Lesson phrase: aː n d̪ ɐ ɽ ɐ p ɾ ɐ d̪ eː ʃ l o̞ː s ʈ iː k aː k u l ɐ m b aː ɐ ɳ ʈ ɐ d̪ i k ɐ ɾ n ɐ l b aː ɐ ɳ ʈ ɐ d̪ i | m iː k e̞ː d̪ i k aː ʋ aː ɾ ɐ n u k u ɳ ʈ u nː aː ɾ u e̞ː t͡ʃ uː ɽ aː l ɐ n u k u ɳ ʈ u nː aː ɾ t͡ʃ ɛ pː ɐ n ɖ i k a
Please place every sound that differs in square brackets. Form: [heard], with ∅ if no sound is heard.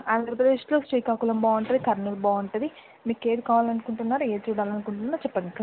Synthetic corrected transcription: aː n d̪ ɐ [ɾ] ɐ p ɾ ɐ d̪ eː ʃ l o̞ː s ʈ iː k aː k u l ɐ m b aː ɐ ɳ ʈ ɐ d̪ i k ɐ ɾ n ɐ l b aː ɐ ɳ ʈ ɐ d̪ i | m iː k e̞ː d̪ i k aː ʋ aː [l] ɐ n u k u ɳ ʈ u nː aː ɾ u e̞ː t͡ʃ uː ɽ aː l ɐ n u k u ɳ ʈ u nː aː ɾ t͡ʃ ɛ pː ɐ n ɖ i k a